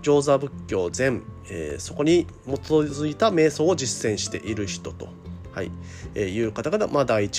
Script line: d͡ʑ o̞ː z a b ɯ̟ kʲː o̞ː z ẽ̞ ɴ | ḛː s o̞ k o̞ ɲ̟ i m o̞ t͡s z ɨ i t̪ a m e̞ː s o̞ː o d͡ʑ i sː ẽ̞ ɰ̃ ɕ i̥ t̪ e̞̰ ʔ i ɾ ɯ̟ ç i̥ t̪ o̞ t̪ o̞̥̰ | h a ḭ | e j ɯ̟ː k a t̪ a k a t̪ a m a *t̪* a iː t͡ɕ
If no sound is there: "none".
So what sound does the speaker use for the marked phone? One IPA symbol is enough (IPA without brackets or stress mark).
d̪